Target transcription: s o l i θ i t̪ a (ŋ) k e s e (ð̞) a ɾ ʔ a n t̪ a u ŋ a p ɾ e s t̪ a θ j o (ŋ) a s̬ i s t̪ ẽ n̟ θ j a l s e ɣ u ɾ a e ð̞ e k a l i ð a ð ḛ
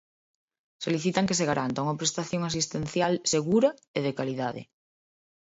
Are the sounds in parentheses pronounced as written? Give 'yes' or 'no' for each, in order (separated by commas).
yes, no, yes